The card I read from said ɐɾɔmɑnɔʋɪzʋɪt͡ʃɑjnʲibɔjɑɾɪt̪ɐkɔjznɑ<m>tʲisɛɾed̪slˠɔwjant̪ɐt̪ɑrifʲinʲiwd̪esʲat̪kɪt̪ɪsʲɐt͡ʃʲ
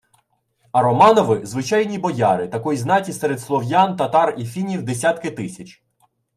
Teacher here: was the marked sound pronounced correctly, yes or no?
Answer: no